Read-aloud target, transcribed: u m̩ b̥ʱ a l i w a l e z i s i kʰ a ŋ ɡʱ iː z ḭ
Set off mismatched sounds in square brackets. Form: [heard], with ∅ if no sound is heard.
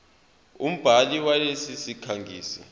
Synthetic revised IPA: u m̩ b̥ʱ a l i w a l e [s] i s i kʰ a ŋ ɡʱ iː [s] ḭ